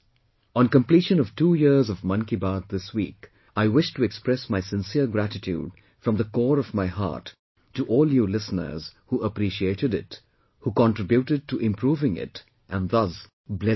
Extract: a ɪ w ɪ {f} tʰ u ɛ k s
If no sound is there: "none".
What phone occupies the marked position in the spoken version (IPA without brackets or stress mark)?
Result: ʃ